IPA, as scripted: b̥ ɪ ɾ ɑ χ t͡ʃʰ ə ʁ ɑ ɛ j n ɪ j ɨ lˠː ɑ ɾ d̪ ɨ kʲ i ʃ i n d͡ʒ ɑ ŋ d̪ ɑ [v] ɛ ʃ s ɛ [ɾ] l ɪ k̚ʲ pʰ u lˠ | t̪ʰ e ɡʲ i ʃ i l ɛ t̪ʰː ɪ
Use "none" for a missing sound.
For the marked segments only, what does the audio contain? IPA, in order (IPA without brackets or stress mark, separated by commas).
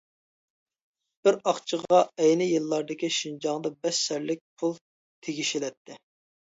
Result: b, ɾ